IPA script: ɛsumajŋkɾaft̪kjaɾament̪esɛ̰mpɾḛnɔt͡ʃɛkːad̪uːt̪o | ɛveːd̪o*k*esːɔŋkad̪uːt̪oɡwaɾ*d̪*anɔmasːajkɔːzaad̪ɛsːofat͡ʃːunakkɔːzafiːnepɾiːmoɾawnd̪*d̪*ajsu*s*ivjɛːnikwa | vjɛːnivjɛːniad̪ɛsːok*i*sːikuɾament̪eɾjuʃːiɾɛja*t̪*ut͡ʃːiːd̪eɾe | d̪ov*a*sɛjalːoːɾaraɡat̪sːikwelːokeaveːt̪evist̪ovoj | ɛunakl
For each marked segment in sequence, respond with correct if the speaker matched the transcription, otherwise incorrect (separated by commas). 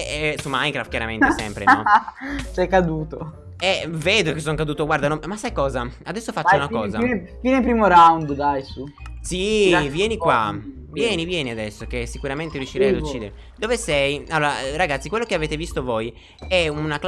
correct, correct, correct, correct, incorrect, incorrect, incorrect